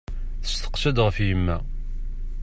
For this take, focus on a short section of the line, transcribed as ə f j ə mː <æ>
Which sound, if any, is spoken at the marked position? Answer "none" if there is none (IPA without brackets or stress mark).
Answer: æ